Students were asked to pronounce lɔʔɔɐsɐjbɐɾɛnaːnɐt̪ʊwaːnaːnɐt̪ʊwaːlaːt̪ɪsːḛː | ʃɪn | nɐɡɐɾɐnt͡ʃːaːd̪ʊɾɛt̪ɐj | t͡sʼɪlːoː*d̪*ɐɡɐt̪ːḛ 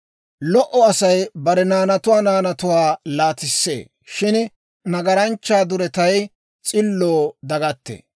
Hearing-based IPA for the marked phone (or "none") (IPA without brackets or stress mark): d̪